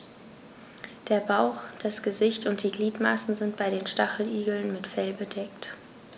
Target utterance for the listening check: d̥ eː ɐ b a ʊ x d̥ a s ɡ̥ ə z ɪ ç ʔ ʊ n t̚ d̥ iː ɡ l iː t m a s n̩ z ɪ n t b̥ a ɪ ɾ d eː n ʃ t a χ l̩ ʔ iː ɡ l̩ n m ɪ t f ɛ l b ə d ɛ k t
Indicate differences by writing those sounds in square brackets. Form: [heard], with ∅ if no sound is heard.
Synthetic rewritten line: d̥ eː ɐ b a ʊ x d̥ a s ɡ̥ ə z ɪ ç [t] ʊ n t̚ d̥ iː ɡ l iː t m a s n̩ z ɪ n t b̥ a ɪ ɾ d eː n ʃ t a χ l̩ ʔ iː ɡ l̩ n m ɪ t f ɛ l b ə d ɛ k t

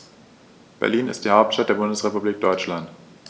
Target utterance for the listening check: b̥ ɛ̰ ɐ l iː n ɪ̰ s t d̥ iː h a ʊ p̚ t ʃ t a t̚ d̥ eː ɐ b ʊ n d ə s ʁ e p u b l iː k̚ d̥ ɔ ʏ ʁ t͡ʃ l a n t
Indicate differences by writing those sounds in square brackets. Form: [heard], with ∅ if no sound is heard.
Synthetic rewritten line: b̥ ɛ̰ ɐ l iː n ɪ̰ s t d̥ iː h a ʊ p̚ t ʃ t a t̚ d̥ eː ɐ b ʊ n d ə s ʁ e p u b l iː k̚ d̥ ɔ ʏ [∅] t͡ʃ l a n t

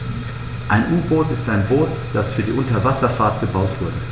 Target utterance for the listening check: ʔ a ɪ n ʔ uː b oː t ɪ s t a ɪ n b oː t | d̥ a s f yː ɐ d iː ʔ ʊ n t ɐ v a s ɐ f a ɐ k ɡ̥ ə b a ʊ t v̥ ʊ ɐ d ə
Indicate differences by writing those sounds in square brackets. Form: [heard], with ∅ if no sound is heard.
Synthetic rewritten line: ʔ a ɪ n ʔ uː b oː t ɪ s t a ɪ n b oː t | d̥ a s f yː ɐ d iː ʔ ʊ n t ɐ v a s ɐ f a ɐ [t] ɡ̥ ə b a ʊ t v̥ ʊ ɐ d ə

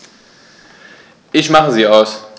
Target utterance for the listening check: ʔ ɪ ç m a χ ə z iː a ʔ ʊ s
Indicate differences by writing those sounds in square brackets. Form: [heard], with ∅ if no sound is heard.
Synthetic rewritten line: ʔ ɪ ç m a χ ə z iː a [∅] ʊ s

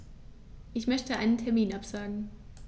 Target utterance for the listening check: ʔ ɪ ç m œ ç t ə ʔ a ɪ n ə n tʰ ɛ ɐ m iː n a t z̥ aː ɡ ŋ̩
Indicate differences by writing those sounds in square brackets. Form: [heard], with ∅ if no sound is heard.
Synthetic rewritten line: ʔ ɪ ç m œ ç t ə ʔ a ɪ n ə n tʰ ɛ ɐ m iː n a [p] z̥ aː ɡ ŋ̩

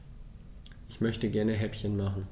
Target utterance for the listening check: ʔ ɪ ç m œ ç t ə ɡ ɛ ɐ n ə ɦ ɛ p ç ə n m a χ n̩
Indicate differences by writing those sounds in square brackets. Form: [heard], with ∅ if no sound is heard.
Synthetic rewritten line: ʔ ɪ ç m œ ç t ə ɡ ɛ ɐ n ə ɦ ɛ p ç ə n m a χ n̩

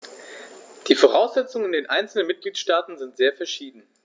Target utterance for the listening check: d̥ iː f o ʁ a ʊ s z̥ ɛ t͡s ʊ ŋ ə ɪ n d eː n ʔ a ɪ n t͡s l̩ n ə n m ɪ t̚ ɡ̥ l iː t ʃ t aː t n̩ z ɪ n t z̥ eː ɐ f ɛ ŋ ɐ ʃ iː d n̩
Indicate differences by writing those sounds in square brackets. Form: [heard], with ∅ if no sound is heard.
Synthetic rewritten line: d̥ iː f o ʁ a ʊ s z̥ ɛ t͡s ʊ ŋ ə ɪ n d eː n ʔ a ɪ n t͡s l̩ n ə n m ɪ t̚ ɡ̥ l iː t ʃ t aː t n̩ z ɪ n t z̥ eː ɐ f ɛ [∅] ɐ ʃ iː d n̩

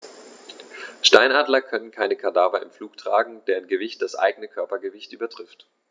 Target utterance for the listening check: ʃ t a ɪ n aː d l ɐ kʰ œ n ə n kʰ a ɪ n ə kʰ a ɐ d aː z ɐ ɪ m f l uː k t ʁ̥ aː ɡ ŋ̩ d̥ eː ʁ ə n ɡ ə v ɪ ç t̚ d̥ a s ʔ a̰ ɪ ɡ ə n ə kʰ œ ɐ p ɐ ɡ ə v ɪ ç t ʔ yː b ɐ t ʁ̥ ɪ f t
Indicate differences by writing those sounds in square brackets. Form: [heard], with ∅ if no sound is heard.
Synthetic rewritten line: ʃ t a ɪ n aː d l ɐ kʰ œ n ə n kʰ a ɪ n ə kʰ a ɐ d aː [v] ɐ ɪ m f l uː k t ʁ̥ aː ɡ ŋ̩ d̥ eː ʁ ə n ɡ ə v ɪ ç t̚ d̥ a s ʔ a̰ ɪ ɡ ə n ə kʰ œ ɐ p ɐ ɡ ə v ɪ ç t ʔ yː b ɐ t ʁ̥ ɪ f t

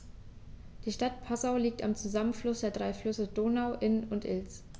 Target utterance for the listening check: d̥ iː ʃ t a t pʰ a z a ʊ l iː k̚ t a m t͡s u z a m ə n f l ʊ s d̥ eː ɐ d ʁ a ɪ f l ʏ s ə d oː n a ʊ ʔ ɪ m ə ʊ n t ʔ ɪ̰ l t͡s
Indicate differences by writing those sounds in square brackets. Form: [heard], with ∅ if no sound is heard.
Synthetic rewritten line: d̥ iː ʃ t a t pʰ a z a ʊ l iː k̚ t a m t͡s u z a m ə n f l ʊ s d̥ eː ɐ d ʁ a ɪ f l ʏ s ə d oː n a ʊ ʔ ɪ [n] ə ʊ n t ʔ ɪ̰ l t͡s

